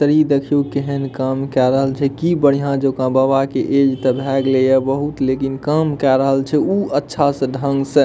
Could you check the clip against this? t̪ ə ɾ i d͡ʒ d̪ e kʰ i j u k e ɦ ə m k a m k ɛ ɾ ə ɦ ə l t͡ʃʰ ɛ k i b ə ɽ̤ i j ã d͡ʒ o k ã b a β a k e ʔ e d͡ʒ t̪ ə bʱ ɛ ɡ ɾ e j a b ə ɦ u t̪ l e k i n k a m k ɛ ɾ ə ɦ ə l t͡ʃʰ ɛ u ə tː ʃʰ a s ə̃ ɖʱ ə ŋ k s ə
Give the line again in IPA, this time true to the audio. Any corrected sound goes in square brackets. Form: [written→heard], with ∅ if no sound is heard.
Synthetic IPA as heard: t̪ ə ɾ i [d͡ʒ→∅] d̪ e kʰ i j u k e ɦ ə [m→n] k a m k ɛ ɾ ə ɦ ə l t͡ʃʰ ɛ k i b ə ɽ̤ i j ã d͡ʒ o k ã b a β a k e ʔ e d͡ʒ t̪ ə bʱ ɛ ɡ [ɾ→l] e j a b ə ɦ u t̪ l e k i n k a m k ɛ ɾ ə ɦ ə l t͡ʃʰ ɛ u ə tː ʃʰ a s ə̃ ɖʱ ə ŋ [k→ɡ] s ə